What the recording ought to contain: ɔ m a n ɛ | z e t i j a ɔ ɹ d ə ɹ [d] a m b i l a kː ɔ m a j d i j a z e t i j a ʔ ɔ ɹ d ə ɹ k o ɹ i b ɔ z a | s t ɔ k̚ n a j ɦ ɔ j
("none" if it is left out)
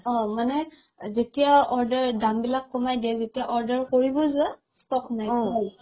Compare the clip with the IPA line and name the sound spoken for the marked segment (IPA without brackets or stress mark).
d